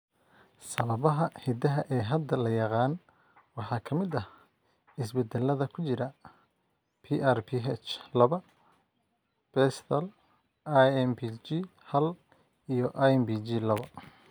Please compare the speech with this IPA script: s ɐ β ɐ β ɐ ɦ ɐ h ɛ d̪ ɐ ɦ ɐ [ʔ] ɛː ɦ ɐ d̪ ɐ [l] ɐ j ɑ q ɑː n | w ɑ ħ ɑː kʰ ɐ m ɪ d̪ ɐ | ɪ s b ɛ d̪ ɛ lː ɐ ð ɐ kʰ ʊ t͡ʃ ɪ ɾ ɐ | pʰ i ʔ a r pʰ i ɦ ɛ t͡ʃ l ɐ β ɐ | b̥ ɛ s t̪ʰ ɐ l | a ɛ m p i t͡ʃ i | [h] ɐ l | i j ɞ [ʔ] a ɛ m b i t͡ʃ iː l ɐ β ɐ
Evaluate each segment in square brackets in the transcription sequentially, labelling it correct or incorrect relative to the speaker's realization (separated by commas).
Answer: correct, correct, correct, correct